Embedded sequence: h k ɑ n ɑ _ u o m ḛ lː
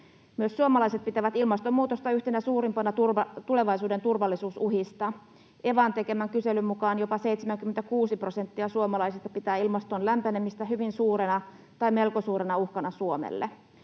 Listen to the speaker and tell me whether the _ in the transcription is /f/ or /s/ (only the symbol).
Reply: s